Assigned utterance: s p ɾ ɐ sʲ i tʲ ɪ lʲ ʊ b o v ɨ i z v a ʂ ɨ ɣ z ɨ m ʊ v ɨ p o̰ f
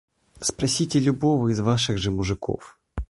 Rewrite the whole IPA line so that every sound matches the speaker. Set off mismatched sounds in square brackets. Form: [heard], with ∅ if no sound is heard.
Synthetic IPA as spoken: s p ɾ ɐ sʲ i tʲ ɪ lʲ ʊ b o v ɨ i z v a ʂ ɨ ɣ [ʐ] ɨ m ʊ [ʐ] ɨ [k] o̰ f